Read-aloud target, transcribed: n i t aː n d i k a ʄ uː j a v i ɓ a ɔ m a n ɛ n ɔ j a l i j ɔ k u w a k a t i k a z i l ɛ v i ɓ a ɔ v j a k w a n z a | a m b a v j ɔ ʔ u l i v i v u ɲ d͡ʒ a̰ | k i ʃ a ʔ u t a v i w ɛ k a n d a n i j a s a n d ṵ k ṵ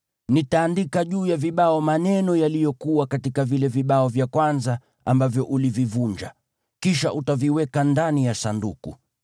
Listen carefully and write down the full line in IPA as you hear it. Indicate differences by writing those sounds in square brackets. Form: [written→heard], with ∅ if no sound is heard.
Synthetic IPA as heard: n i t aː n d i k a ʄ uː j a v i ɓ a ɔ m a n ɛ n ɔ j a l i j ɔ k u w a k a t i k a [z→v] i l ɛ v i ɓ a ɔ v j a k w a n z a | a m b a v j ɔ ʔ u l i v i v u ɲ d͡ʒ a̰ | k i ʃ a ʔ u t a v i w ɛ k a n d a n i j a s a n d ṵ k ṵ